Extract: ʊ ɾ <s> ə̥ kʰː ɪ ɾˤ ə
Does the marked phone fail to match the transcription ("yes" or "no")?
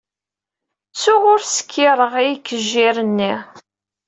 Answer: no